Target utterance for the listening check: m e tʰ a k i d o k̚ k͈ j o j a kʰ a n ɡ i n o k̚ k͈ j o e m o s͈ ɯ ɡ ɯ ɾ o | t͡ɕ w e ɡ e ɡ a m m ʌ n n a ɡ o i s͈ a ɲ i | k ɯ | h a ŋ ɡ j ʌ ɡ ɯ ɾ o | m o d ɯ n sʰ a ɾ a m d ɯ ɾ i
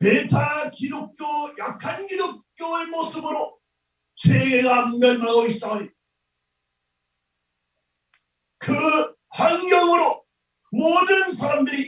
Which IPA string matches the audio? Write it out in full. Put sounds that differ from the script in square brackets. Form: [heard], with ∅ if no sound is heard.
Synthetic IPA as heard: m e tʰ a k i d o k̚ k͈ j o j a kʰ a n ɡ i [d] o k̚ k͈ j o e m o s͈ ɯ [b] ɯ ɾ o | t͡ɕ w e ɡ e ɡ a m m ʌ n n a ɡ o i s͈ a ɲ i | k ɯ | h a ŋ ɡ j ʌ [ŋ] ɯ ɾ o | m o d ɯ n sʰ a ɾ a m d ɯ ɾ i